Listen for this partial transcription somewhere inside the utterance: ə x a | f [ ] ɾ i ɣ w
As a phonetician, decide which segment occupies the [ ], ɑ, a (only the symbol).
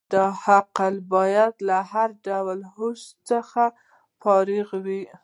ɑ